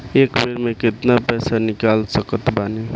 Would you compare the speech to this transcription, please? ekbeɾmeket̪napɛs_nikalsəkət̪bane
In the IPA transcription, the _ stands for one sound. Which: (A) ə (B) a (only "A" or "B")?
B